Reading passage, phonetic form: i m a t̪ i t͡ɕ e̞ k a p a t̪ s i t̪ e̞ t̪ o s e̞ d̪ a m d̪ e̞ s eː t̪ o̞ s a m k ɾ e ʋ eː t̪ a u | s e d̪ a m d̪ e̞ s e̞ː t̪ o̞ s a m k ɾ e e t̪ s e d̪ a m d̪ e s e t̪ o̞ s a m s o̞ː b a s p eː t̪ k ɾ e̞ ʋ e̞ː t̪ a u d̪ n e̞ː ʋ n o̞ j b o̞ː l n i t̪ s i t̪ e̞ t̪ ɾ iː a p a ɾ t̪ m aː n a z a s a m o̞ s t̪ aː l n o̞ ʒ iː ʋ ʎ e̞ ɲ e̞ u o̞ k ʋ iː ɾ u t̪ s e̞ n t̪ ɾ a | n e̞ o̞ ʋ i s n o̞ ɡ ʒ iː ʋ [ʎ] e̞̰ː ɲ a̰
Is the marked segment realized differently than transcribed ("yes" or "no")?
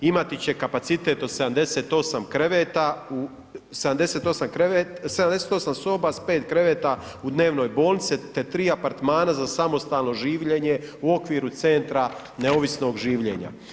no